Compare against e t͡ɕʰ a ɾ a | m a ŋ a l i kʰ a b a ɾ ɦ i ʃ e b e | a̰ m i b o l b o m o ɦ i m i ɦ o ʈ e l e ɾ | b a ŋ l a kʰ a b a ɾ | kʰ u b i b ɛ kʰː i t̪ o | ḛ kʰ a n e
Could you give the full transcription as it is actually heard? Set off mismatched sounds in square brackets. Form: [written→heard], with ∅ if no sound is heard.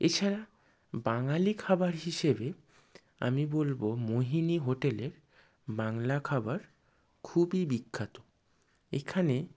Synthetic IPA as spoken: e t͡ɕʰ a ɾ a | [m→b] a ŋ a l i kʰ a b a ɾ ɦ i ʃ e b e | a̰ m i b o l b o m o ɦ i [m→n] i ɦ o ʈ e l e ɾ | b a ŋ l a kʰ a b a ɾ | kʰ u b i b [ɛ→i] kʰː [i→a] t̪ o | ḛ kʰ a n e